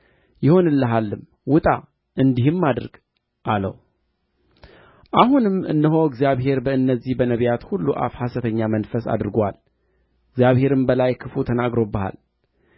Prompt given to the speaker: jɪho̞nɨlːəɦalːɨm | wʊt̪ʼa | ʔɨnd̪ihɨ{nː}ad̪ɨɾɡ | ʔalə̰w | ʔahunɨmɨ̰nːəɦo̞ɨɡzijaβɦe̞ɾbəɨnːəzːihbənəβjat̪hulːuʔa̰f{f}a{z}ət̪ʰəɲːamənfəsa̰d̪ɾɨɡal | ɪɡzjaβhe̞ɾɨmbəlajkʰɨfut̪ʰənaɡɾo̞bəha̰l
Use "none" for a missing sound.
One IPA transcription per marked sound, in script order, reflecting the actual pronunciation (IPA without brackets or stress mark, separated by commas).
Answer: mː, h, s